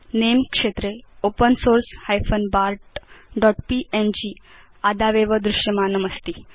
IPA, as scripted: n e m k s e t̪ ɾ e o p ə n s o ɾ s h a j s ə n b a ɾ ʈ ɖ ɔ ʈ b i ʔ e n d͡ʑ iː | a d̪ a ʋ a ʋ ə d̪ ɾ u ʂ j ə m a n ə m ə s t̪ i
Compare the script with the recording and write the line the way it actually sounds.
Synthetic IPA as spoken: n e m k ʂ e t̪ ɾ e o p ə n s o ɾ s h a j f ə n b a ɾ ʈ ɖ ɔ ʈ p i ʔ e n d͡ʑ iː | a d̪ a ʋ e ʋ ə d̪ ɾ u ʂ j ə m a n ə m ə s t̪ i

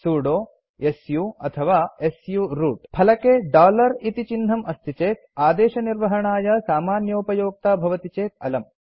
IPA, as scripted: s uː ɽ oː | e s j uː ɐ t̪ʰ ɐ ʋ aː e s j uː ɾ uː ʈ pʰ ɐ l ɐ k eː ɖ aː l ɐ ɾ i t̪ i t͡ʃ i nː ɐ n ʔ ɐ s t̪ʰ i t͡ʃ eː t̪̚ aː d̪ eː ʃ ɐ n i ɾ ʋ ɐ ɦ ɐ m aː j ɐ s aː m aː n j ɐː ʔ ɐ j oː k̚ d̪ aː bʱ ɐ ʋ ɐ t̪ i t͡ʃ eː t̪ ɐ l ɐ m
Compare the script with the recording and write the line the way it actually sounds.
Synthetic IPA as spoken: s uː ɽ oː | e s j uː ɐ t̪ʰ ɐ ʋ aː e s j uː ɾ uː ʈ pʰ ɐ l ɐ k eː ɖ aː l ɐ ɾ i t̪ i t͡ʃ i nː ɐ m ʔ ɐ s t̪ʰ i t͡ʃ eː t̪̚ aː d̪ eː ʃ ɐ n i ɾ ʋ ɐ ɦ ɐ ɳ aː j ɐ s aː m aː n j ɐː p ɐ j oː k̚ t̪ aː bʱ ɐ ʋ ɐ t̪ i t͡ʃ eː t̪ ɐ l ɐ m

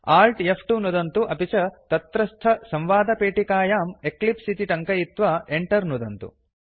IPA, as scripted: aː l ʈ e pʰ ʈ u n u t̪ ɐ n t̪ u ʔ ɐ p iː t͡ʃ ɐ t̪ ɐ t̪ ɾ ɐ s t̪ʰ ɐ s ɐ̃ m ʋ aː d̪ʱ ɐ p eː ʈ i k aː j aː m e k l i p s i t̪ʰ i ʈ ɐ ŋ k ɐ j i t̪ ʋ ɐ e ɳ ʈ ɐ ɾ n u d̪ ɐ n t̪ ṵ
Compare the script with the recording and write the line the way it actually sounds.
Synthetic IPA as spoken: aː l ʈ e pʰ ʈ u n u d̪ ɐ n t̪ u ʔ ɐ p i t͡ʃ ɐ t̪ ɐ t̪ ɾ ɐ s t̪ʰ ɐ s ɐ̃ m ʋ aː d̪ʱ ɐ p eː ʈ i k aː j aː m e k l i p s i t̪ i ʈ ɐ ŋ k ɐ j i t̪ ʋ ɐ e ɳ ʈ ɐ ɾ n u d̪ ɐ n t̪ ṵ

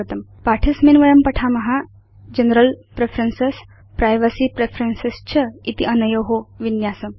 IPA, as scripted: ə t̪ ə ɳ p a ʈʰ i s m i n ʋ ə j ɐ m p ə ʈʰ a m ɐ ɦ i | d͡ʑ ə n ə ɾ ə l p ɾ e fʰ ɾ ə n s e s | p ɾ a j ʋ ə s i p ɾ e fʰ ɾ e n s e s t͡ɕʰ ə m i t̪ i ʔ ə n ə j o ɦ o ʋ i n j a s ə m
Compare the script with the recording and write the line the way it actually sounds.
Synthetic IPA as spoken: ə t̪ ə m p a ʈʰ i s m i n ʋ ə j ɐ m p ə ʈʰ a m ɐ ɦ a | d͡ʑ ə n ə ɾ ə l p ɾ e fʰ ɾ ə n s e s | p ɾ a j ʋ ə s i p ɾ e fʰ ɾ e n s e s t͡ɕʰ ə i t̪ i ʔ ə n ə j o ɦ o ʋ i n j a s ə m

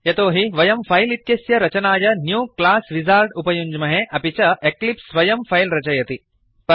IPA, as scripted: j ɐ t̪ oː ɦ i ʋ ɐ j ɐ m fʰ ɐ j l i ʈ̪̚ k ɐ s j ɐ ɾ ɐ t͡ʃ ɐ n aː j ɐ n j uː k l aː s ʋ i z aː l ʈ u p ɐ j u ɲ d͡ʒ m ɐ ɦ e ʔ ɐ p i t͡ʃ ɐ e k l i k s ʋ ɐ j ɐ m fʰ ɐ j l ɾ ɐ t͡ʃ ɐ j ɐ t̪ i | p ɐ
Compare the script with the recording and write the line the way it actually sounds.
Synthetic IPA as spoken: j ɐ t̪ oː ɦ i ʋ ɐ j ɐ m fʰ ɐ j l i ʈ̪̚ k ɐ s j ɐ ɾ ɐ t͡ʃ ɐ n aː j ɐ n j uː k l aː s ʋ i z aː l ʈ u p ɐ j u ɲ d͡ʒ m ɐ ɦ e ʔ ɐ p i t͡ʃ ɐ e k l i p s ʋ ɐ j ɐ m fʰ ɐ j l ɾ ɐ t͡ʃ ɐ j ɐ t̪ i | p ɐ

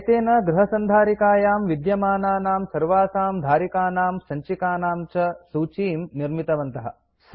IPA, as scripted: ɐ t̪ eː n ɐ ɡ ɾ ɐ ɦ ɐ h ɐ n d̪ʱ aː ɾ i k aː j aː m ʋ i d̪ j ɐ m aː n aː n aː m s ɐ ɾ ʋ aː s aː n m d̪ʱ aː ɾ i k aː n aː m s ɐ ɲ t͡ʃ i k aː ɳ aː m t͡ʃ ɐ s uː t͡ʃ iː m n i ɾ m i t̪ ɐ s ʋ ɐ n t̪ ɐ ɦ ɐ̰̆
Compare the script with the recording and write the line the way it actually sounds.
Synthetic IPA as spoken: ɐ t̪ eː n ɐ ɡ ɾ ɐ ɦ ɐ s ɐ n d̪ʱ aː ɾ i k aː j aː m ʋ i d̪ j ɐ m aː n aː n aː m s ɐ ɾ ʋ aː s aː m d̪ʱ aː ɾ i k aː n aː m s ɐ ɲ t͡ʃ i k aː n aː m t͡ʃ ɐ s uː t͡ʃ iː m n i ɾ m i t̪ ɐ ʋ ɐ n t̪ ɐ ɦ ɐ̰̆

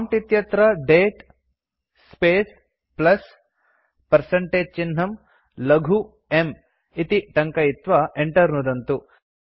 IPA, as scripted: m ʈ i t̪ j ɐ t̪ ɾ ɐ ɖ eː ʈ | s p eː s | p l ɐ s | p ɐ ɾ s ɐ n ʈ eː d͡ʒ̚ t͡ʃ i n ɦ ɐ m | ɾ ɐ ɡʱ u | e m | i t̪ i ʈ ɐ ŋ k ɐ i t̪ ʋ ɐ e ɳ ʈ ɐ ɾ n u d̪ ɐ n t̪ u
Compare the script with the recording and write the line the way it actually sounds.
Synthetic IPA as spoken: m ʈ i t̪ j ɐ t̪ ɾ ɐ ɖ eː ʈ | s p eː s | p l ɐ s | p ɐ ɾ s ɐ ɳ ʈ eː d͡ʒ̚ t͡ʃ i n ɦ ɐ m | l ɐ ɡʱ u | e m | i t̪ i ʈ ɐ ŋ k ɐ i t̪ ʋ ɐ e ɳ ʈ ɐ ɾ n u d̪ ɐ n t̪ u

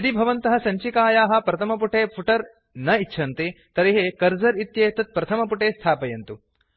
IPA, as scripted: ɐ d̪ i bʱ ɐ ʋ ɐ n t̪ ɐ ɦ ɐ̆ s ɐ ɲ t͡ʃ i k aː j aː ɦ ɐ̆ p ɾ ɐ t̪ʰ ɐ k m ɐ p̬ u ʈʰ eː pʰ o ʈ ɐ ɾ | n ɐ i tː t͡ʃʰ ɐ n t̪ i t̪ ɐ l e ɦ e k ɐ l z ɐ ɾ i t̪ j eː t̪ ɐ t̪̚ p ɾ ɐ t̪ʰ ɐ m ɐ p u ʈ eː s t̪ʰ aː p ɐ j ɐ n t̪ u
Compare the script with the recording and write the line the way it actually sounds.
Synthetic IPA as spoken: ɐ d̪ i bʱ ɐ ʋ ɐ n t̪ ɐ ɦ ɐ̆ s ɐ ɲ t͡ʃ i k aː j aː ɦ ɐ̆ p ɾ ɐ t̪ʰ ɐ m ɐ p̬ u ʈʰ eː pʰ u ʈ ɐ ɾ | n ɐ i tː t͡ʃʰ ɐ n t̪ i t̪ ɐ ɾ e ɦ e k ɐ ɾ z ɐ ɾ i t̪ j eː t̪ ɐ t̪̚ p ɾ ɐ t̪ʰ ɐ m ɐ p u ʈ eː s t̪ʰ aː p ɐ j ɐ n t̪ u

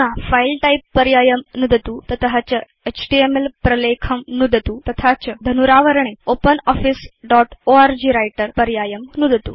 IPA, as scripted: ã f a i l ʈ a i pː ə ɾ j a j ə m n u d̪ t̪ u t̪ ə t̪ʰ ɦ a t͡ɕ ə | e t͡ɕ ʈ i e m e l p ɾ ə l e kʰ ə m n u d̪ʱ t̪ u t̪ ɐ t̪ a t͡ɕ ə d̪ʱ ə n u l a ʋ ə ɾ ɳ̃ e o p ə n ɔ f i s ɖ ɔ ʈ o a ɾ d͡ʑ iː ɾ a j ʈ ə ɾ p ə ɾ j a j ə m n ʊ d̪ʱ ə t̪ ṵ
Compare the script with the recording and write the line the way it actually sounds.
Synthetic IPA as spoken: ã f a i l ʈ a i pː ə ɾ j a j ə m n u d̪ t̪ u t̪ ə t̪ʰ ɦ a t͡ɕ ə | e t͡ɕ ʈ i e m e l p ɾ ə l e kʰ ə m n u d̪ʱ t̪ u t̪ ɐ t̪ʰ a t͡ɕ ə d̪ʱ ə n u ɾ a ʋ ə ɾ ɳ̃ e o p ə n ɔ f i s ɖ ɔ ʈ o a ɾ d͡ʑ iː ɾ a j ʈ ə ɾ p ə ɾ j a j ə m n u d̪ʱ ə t̪ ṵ

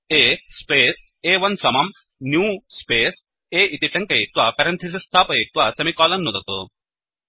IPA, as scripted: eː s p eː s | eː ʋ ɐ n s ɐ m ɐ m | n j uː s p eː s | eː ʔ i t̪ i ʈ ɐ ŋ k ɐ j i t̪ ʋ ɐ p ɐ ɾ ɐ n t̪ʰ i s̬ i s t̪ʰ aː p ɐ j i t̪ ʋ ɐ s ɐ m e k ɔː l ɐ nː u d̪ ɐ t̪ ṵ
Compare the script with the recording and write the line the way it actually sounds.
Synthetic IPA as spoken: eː s p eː s | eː ʋ ɐ n s ɐ m ɐ m | n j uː s p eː s | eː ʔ i t̪ i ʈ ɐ ŋ k ɐ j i t̪ ʋ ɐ p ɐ ɾ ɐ n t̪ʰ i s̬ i s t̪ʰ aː p ɐ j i t̪ ʋ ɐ s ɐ m i k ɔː l ɐ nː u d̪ ɐ t̪ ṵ

